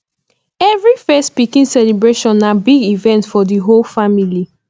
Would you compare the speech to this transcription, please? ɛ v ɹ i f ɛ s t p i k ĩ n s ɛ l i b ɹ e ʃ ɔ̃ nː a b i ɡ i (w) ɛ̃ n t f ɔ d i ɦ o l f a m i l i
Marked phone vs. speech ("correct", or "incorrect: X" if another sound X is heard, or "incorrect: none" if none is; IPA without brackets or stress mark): incorrect: v